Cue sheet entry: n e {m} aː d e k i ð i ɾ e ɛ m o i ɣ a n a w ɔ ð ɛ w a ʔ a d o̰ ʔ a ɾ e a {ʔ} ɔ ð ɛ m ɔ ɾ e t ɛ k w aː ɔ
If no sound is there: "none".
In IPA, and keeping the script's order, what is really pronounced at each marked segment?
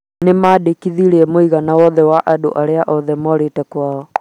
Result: m, ʔ

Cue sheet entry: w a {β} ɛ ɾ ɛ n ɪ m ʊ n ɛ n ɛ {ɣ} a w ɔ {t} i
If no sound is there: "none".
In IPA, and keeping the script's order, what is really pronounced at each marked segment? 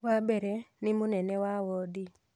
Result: b, w, d

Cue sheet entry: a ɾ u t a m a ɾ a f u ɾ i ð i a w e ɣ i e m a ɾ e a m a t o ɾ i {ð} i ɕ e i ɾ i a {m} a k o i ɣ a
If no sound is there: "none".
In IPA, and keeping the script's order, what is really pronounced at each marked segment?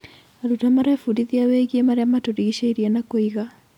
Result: ɣ, n

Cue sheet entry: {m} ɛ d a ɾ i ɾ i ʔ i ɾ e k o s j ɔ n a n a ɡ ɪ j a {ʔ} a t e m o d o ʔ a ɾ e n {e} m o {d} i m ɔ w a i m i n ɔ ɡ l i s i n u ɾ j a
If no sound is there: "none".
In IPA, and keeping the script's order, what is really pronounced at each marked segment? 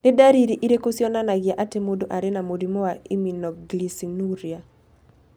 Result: n, ʔ, a, d

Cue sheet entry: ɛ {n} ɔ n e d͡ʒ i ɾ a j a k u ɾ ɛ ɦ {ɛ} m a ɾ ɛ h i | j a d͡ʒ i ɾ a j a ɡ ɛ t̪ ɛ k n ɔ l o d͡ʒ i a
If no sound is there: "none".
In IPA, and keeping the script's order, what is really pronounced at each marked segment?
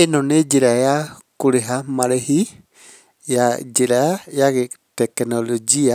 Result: n, a

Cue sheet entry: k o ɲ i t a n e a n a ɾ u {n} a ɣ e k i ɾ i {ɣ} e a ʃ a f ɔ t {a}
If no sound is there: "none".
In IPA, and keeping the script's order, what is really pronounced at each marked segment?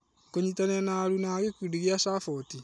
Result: n, ɣ, i

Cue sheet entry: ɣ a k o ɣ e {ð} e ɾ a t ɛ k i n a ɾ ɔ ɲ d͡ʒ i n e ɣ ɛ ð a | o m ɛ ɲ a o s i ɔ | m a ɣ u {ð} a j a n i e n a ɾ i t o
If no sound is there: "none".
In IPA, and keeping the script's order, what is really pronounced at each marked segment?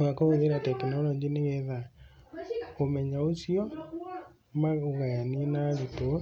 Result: ð, ɣ

